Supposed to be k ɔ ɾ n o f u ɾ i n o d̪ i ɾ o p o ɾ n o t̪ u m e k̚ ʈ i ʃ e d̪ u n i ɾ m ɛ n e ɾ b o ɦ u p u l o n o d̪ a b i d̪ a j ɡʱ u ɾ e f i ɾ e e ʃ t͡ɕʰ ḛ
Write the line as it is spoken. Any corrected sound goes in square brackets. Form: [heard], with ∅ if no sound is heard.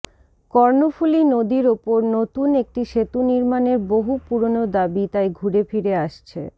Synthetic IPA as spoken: k ɔ ɾ n o f u [l] i n o d̪ i ɾ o p o ɾ n o t̪ u [n] e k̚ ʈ i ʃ e [t̪] u n i ɾ m [a] n e ɾ b o ɦ u p u [ɾ] o n o d̪ a b i [t̪] a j ɡʱ u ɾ e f i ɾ e [a] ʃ t͡ɕʰ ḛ

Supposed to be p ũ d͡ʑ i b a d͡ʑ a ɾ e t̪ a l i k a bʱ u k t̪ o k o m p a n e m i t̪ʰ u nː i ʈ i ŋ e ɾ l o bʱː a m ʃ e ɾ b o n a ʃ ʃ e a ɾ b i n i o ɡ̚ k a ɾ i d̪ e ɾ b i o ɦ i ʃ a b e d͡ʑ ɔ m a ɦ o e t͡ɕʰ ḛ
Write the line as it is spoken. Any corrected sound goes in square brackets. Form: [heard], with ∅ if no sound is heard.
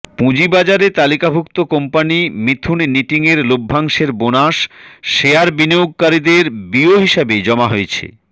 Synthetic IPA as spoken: p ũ d͡ʑ i b a d͡ʑ a ɾ e t̪ a l i k a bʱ u k t̪ o k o m p a n [i] m i t̪ʰ u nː i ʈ i ŋ e ɾ l o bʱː a [ŋ] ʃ e ɾ b o n a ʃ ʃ e a ɾ b i n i o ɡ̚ k a ɾ i d̪ e ɾ b i o ɦ i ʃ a b e d͡ʑ ɔ m a ɦ o e t͡ɕʰ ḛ

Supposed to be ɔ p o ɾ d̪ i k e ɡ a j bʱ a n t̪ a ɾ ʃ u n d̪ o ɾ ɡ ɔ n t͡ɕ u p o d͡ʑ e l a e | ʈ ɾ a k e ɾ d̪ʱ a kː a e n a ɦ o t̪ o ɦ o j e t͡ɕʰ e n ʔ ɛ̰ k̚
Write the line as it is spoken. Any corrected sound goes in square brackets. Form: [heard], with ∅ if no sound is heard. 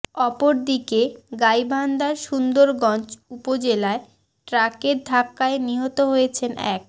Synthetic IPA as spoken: ɔ p o ɾ d̪ i k e ɡ a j bʱ a n [d̪] a ɾ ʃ u n d̪ o ɾ ɡ ɔ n t͡ɕ u p o d͡ʑ e l a e | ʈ ɾ a k e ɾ d̪ʱ a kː a e n [i] ɦ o t̪ o ɦ o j e t͡ɕʰ e n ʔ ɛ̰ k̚

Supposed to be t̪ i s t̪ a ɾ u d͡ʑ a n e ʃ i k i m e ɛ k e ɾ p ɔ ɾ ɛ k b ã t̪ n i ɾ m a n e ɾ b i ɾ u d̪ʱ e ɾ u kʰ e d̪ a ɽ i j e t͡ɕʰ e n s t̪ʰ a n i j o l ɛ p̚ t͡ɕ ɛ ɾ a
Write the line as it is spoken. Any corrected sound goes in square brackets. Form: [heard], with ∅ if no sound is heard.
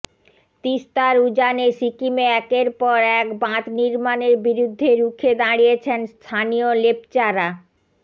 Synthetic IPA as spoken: t̪ i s t̪ a ɾ u d͡ʑ a n e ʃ i k i m e ɛ k e ɾ p ɔ ɾ ɛ k b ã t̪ n i ɾ m a n e ɾ b i ɾ u [d̪ʱː] e ɾ u kʰ e d̪ a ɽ i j e t͡ɕʰ e n s t̪ʰ a n i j o l [e] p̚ t͡ɕ [a] ɾ a

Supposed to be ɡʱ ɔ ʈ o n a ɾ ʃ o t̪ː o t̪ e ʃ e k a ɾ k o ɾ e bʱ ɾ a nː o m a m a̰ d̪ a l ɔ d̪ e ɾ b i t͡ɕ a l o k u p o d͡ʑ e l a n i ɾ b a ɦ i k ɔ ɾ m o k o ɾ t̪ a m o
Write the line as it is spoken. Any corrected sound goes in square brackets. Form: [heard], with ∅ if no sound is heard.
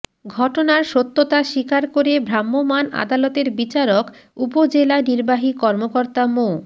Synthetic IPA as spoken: ɡʱ ɔ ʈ o n a ɾ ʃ o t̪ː o t̪ [a] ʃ [i] k a ɾ k o ɾ e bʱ ɾ a [mː] o m a [n] a̰ d̪ a l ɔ [t̪] e ɾ b i t͡ɕ a [ɾ] o k u p o d͡ʑ e l a n i ɾ b a ɦ i k ɔ ɾ m o k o ɾ t̪ a m o

